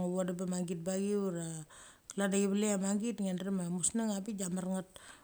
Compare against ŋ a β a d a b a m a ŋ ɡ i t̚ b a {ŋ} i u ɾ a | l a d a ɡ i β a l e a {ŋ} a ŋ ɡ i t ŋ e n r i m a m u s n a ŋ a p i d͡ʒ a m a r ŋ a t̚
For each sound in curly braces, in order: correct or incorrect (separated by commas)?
incorrect, incorrect